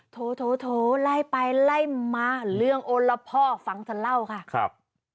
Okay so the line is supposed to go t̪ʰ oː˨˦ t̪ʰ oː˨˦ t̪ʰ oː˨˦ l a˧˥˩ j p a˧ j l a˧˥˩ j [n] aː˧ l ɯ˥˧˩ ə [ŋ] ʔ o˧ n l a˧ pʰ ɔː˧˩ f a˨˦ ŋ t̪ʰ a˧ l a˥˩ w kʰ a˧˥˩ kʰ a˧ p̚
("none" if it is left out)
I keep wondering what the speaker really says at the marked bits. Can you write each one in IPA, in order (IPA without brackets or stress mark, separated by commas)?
m, ŋ